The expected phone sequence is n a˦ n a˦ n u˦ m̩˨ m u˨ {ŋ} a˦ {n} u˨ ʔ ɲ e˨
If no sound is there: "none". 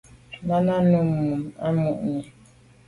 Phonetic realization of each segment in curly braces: m, m

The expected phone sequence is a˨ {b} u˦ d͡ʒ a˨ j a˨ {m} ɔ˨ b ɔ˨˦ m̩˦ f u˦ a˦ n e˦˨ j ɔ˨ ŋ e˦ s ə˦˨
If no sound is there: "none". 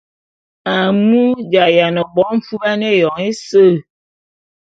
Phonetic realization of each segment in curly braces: m, n

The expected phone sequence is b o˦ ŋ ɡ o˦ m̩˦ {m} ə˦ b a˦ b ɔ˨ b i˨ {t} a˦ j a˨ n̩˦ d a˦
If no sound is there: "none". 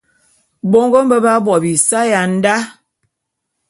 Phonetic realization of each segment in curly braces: b, s

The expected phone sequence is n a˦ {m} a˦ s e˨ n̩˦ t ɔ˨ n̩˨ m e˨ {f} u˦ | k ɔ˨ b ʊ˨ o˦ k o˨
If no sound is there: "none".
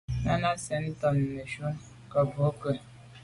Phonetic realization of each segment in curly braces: n, ʃ

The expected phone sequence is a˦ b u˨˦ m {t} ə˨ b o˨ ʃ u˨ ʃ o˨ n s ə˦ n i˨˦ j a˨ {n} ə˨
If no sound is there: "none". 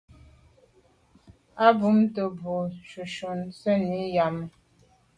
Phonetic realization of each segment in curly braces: t, m

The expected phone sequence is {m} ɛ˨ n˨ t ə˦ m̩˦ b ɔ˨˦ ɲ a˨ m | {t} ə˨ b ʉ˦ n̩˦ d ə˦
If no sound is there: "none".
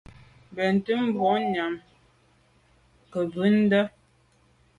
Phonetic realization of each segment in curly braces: b, k

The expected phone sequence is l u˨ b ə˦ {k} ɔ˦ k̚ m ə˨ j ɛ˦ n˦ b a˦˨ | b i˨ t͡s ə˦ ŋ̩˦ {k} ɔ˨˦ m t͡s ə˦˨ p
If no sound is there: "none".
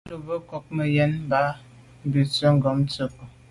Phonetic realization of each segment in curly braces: k, ɡ

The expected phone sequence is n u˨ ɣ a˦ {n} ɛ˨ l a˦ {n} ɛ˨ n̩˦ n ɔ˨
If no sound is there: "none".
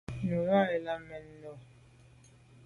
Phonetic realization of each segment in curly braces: none, m

